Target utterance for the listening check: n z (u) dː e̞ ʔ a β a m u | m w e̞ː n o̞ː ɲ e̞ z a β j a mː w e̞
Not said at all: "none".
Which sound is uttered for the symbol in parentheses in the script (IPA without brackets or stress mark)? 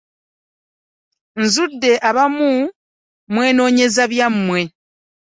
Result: u